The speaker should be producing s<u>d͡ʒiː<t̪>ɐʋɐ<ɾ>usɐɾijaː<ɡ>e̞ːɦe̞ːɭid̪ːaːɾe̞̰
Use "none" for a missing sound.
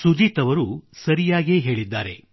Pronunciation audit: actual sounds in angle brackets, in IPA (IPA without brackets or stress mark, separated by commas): u, t̪, ɾ, ɡ